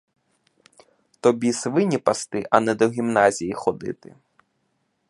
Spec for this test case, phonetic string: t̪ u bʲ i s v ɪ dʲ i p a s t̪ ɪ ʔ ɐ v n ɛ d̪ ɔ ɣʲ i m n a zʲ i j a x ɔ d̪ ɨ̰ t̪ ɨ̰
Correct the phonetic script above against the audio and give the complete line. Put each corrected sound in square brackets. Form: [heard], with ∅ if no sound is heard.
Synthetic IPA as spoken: t̪ [ɔ] bʲ i s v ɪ [nʲ] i p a s t̪ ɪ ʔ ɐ [∅] n ɛ d̪ ɔ ɣʲ i m n a zʲ i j [i] x ɔ d̪ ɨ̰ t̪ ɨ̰